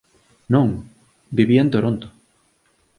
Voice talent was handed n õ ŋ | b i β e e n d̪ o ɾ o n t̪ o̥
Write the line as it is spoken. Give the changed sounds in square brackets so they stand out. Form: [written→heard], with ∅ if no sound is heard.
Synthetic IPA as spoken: n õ ŋ | b i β [e→i] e n [d̪→t̪] o ɾ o n t̪ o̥